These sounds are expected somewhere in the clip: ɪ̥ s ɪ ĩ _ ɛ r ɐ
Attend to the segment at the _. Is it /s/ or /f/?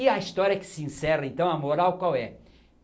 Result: s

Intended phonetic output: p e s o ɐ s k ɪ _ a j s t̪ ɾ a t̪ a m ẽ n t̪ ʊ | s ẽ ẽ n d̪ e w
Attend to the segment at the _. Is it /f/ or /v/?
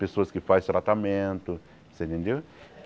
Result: f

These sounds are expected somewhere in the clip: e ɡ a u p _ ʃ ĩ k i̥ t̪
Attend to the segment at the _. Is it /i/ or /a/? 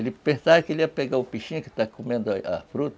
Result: i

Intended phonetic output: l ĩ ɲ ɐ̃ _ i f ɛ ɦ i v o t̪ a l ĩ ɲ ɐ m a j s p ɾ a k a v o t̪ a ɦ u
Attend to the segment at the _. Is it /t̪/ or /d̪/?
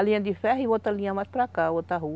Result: d̪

